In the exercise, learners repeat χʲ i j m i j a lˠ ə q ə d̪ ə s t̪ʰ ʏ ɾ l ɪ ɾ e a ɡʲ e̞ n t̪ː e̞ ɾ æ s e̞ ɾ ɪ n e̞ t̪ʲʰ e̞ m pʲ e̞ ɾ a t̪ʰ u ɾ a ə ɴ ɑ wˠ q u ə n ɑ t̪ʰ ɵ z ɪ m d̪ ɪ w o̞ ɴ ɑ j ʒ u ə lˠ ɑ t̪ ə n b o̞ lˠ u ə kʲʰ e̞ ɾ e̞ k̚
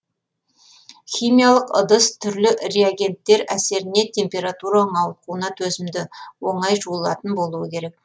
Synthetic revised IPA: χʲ i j m i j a lˠ ə q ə d̪ ə s t̪ʰ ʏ ɾ l ɪ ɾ e a ɡʲ e̞ n t̪ː e̞ ɾ æ s e̞ ɾ ɪ n e̞ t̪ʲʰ e̞ m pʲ e̞ ɾ a t̪ u ɾ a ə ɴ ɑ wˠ q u ə n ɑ t̪ʰ ɵ z ɪ m d̪ ɪ w o̞ ɴ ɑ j ʒ u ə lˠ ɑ t̪ ə n b o̞ lˠ u ə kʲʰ e̞ ɾ e̞ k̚